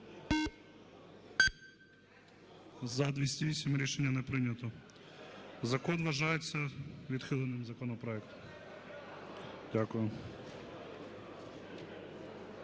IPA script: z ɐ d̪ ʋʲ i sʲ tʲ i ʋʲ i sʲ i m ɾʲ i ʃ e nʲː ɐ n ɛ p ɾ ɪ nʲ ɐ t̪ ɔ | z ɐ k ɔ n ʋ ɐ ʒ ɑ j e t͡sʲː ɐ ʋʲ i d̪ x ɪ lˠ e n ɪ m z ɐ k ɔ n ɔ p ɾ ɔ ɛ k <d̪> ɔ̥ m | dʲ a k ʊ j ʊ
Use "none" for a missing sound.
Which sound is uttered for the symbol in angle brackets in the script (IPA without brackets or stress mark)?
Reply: t̪